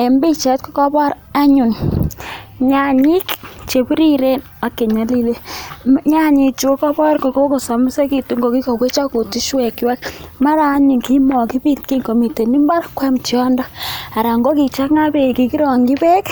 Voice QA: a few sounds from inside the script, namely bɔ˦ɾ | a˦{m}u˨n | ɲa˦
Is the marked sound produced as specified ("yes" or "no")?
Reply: no